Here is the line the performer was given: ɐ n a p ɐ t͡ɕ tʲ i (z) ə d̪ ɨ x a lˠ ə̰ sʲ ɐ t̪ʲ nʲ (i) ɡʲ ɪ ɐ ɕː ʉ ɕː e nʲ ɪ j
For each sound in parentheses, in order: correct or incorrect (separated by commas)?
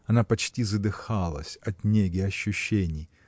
correct, incorrect